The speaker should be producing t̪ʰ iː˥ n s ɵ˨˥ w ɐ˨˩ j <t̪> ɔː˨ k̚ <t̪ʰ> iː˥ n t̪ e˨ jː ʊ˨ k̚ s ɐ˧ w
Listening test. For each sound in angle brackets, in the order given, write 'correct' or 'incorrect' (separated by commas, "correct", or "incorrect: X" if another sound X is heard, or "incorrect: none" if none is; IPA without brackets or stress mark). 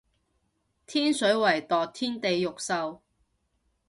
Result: correct, correct